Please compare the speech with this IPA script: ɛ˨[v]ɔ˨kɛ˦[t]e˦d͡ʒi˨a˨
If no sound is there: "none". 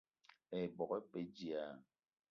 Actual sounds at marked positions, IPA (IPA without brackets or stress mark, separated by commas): b, p